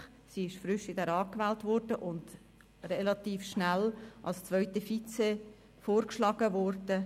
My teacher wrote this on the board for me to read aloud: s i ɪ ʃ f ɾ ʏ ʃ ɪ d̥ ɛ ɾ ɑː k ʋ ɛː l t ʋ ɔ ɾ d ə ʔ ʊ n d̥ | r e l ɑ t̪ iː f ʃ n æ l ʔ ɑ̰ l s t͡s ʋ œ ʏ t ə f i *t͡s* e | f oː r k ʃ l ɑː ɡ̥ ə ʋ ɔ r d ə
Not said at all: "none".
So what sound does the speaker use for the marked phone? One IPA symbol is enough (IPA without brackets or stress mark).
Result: t͡s